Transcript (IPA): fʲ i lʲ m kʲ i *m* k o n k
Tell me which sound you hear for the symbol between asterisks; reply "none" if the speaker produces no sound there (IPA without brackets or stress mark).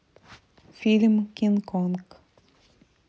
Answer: n